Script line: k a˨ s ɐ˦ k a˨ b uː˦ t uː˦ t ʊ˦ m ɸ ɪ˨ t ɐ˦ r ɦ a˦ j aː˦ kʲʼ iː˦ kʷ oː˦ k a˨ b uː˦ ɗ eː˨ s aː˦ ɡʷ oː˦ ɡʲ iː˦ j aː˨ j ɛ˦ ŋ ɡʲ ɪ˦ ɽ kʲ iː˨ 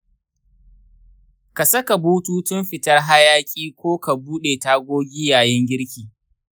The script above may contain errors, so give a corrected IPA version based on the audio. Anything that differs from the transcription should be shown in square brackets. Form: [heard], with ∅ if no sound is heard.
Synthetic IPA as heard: k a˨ s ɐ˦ k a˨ b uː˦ t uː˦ t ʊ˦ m ɸ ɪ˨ t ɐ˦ r ɦ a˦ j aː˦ kʲʼ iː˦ kʷ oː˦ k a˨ b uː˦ ɗ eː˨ [t] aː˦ ɡʷ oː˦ ɡʲ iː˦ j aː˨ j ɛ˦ ŋ ɡʲ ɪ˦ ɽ kʲ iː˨

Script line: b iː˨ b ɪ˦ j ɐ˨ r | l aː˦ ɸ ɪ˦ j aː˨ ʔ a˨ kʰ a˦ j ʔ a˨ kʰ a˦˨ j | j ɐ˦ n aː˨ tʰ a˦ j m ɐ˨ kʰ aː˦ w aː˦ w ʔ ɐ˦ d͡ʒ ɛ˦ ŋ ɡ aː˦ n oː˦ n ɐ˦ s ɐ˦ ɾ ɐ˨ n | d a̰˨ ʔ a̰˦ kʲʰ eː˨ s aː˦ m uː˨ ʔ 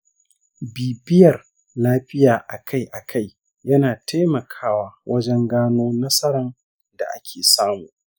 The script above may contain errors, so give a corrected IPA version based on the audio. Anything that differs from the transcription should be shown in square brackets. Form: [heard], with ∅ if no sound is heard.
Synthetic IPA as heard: b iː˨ b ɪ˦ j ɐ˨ r | l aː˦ ɸ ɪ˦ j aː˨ ʔ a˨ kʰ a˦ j ʔ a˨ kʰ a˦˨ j | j ɐ˦ n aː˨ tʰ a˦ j m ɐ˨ kʰ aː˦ w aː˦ w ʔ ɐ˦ d͡ʒ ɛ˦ ŋ ɡ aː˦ n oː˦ n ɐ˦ s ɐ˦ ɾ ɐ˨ n | d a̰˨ ʔ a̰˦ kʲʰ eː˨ s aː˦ m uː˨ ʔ

